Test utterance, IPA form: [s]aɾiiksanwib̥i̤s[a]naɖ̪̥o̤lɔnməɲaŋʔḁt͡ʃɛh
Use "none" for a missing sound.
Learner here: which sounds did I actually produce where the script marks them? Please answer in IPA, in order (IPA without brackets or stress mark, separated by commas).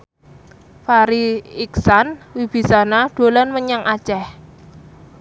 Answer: f, a